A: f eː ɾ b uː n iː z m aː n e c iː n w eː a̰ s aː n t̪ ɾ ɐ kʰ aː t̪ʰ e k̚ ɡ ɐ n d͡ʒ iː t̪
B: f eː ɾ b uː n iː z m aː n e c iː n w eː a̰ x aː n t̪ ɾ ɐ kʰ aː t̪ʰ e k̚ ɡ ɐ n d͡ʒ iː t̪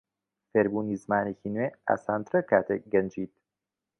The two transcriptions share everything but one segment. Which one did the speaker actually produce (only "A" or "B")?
A